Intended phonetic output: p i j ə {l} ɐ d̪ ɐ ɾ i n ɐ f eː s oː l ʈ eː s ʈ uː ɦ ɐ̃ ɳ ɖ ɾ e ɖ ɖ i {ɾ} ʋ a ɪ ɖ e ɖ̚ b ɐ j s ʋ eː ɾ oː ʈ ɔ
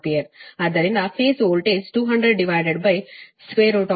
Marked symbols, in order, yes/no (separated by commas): no, no